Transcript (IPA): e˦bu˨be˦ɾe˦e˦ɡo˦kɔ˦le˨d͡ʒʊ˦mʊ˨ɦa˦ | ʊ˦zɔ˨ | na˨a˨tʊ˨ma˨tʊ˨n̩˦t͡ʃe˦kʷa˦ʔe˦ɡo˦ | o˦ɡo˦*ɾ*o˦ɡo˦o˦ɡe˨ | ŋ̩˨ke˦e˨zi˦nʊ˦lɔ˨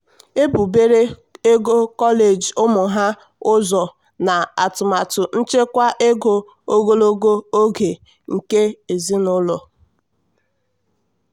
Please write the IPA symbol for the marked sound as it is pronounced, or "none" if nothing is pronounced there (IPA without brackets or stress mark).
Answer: l